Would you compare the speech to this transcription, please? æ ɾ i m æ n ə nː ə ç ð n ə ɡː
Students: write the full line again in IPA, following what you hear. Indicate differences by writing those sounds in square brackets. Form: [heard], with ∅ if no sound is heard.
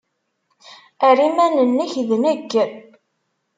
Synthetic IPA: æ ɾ i m æ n ə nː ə ç ð n ə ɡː

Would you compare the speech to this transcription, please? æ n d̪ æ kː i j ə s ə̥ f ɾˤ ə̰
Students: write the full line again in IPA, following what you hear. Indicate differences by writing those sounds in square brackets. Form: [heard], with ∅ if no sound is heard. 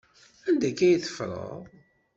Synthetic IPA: æ n d̪ æ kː [æ] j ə [θ] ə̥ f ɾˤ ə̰

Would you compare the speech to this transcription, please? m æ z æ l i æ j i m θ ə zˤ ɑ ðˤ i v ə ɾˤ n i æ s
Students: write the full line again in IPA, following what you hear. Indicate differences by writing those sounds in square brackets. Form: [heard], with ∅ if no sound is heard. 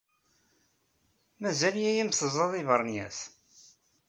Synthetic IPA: m æ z æ l [j] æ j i m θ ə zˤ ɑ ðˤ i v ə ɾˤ n [j] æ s

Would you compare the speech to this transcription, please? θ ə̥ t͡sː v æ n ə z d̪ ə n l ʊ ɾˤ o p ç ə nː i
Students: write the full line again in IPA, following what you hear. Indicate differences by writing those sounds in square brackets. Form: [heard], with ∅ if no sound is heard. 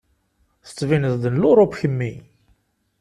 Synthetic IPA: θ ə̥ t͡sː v [i] n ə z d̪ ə n l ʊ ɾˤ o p ç ə [mː] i

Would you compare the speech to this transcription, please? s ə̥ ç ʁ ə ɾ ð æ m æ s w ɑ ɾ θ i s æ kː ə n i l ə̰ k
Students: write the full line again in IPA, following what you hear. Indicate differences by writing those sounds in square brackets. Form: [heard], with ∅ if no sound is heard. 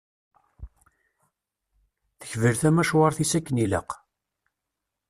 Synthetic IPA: [θ] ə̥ ç [v] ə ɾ [θ] æ m æ [ʃ] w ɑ ɾ θ i s æ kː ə n i l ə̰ [q]

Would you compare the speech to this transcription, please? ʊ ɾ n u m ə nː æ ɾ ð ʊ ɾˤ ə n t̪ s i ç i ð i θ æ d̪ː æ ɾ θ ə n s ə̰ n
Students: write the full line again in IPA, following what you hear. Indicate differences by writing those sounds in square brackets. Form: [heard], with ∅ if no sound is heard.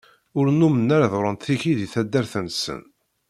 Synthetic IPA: ʊ ɾ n u m ə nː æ ɾ ð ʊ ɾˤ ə n t̪ [θ] i ç i ð i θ æ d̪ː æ ɾ θ ə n s ə̰ n

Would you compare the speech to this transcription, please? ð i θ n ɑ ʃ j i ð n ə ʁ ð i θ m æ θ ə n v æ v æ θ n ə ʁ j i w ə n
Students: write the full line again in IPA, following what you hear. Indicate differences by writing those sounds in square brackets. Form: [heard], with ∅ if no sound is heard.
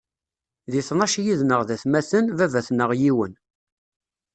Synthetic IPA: ð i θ n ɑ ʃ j i ð n ə ʁ ð [æ] θ m æ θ ə n v æ v æ θ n ə ʁ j i w ə n

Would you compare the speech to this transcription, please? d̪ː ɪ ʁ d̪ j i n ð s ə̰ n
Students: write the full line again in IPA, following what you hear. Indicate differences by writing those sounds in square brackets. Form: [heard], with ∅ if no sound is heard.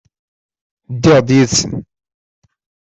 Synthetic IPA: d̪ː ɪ ʁ d̪ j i [∅] ð s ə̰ n

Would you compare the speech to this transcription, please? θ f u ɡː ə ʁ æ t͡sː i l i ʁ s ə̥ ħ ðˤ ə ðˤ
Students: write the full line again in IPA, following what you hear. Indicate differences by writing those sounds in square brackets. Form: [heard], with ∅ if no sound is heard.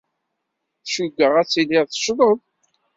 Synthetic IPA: θ [ʃ] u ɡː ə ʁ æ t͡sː i l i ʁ [θ] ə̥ [ʃ] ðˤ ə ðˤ

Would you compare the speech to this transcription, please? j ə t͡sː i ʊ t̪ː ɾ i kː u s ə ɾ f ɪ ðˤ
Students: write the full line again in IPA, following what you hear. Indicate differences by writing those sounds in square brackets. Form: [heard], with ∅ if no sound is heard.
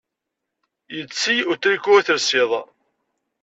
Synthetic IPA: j ə t͡sː i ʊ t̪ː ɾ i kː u [θ] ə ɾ [s] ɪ ðˤ

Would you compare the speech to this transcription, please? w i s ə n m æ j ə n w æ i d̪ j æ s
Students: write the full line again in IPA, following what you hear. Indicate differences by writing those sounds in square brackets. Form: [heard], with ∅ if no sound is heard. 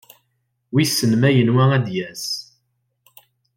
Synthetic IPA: w i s ə n m æ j ə n w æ [æ] d̪ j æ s

